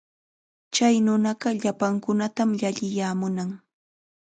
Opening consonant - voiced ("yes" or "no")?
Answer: no